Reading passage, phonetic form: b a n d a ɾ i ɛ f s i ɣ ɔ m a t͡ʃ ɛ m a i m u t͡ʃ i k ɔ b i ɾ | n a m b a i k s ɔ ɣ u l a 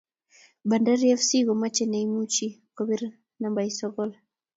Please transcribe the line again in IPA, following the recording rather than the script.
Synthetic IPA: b a n d a ɾ i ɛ f s i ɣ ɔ m a t͡ʃ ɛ n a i m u t͡ʃ i k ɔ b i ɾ | n a m b a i s ɔ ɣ ɔ l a

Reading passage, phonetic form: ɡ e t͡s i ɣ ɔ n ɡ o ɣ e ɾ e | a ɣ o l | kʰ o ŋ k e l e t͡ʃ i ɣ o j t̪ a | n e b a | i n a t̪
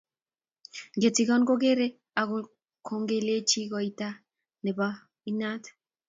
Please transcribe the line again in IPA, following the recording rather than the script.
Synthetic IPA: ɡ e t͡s i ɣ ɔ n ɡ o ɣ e ɾ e | a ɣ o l | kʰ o ŋ ɡ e l e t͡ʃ i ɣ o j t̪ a | n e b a | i n a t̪

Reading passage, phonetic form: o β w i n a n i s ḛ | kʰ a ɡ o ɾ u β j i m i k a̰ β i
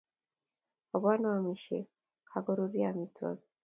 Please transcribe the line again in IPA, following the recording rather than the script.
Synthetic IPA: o β w a n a m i ʃ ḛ | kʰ a ɡ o ɾ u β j a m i t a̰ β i

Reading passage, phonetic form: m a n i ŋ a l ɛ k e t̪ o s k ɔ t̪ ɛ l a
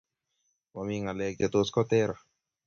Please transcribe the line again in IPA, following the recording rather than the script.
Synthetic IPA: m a m i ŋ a l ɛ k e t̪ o s k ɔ t̪ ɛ ɾ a

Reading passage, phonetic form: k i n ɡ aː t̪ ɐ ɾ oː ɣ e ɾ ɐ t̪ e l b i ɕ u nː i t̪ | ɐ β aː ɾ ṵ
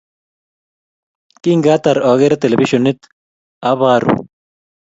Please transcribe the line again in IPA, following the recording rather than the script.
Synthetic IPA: k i ŋ ɡ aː t̪ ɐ ɾ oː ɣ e ɾ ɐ t̪ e l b i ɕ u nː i t̪ | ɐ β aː ɾ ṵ

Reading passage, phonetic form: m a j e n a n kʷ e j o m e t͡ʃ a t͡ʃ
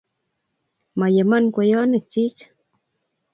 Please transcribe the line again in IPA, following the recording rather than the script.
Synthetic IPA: m a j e m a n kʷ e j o n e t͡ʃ i t͡ʃ

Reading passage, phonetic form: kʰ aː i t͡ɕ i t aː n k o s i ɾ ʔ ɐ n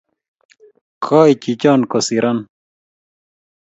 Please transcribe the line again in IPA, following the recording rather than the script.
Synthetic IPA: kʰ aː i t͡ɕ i t͡ɕ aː n k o s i ɾ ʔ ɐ n

